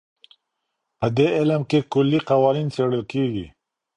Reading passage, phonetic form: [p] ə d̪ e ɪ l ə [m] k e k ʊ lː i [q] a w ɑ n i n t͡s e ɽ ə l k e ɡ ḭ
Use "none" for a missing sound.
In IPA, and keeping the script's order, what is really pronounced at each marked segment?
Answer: p, m, q

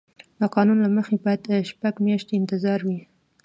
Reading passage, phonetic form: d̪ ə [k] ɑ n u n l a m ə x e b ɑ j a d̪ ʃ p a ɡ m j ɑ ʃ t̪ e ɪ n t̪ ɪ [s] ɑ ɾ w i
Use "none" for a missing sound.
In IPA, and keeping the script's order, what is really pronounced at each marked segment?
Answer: q, z

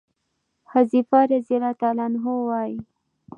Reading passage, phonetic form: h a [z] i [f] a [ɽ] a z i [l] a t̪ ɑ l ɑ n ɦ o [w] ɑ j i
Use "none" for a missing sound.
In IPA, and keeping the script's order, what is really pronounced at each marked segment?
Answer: z, f, ɾ, l, w

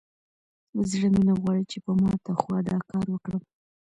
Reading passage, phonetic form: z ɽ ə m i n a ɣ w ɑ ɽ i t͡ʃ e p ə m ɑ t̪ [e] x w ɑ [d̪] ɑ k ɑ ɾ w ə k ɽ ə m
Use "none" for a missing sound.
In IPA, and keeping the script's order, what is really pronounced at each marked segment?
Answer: a, d̪

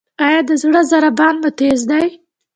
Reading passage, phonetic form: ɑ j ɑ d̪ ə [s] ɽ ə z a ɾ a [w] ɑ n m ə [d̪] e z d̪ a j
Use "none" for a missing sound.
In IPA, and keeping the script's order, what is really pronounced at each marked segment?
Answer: z, b, t̪

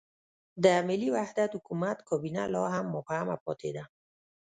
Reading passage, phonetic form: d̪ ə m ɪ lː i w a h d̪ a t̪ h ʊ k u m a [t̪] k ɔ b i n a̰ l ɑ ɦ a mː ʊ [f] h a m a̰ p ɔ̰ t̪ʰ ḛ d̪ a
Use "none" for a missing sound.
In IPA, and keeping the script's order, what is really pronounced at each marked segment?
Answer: t̪, f

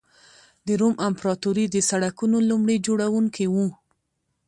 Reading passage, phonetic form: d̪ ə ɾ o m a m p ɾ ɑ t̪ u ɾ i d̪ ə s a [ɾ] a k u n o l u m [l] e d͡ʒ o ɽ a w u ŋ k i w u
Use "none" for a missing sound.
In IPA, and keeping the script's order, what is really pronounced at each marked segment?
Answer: ɽ, ɽ

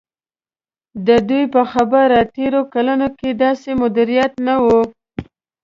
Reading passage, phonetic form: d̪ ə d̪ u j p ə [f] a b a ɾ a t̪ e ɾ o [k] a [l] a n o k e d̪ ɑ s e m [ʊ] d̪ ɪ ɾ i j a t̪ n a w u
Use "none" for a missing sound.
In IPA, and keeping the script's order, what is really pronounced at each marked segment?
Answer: x, k, l, ʊ

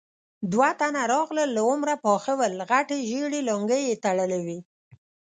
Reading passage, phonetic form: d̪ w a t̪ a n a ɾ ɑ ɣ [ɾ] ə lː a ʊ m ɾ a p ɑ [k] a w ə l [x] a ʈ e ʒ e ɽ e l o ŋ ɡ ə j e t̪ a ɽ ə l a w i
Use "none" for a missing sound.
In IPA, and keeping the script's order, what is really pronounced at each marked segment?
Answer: l, x, ɣ

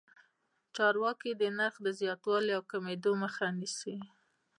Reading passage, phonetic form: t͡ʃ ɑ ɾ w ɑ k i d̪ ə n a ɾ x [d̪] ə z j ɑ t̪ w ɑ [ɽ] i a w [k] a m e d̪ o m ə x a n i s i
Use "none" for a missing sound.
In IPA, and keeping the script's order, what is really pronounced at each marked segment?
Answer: d̪, l, k

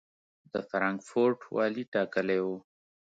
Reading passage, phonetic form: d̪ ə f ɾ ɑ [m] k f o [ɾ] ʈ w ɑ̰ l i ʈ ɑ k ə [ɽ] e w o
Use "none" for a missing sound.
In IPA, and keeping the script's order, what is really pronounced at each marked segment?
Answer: ŋ, ɾ, l

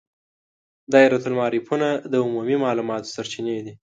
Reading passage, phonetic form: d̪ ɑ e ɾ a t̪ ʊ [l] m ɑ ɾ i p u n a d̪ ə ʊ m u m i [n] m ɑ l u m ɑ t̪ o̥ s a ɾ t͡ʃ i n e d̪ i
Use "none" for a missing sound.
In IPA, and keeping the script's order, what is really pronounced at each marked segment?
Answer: l, none

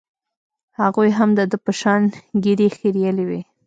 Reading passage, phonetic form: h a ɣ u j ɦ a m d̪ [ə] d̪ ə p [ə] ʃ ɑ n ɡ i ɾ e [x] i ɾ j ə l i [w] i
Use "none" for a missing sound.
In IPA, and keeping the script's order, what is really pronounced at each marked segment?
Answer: ə, ə, x, w

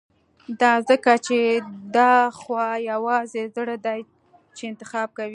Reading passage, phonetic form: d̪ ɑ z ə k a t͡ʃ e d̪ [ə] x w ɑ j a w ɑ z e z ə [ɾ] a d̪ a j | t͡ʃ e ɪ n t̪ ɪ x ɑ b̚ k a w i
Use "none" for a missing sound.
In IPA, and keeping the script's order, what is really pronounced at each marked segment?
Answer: ɑ, ɽ

